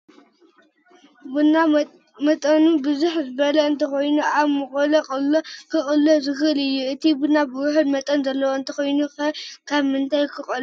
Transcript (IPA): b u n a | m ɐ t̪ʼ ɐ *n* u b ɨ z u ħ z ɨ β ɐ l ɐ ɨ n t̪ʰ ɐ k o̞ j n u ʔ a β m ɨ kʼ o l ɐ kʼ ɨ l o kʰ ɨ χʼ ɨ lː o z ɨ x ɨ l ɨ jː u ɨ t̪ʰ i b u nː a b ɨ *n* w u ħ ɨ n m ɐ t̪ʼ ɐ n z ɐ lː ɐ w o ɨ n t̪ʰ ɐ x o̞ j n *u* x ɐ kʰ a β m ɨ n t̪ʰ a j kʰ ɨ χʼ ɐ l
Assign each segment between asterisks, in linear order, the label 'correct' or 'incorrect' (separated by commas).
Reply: correct, incorrect, correct